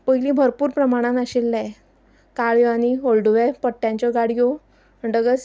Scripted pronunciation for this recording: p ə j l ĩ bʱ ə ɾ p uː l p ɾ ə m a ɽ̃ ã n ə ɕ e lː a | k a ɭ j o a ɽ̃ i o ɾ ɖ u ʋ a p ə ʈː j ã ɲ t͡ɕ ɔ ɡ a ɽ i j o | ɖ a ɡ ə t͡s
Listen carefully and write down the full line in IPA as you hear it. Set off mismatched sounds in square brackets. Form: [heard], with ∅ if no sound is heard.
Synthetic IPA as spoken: p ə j l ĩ bʱ ə ɾ p uː [ɾ] p ɾ ə m a ɽ̃ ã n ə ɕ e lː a | k a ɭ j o a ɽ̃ i o [l] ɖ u ʋ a p ə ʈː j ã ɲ t͡ɕ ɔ ɡ a ɽ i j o | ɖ [ə] ɡ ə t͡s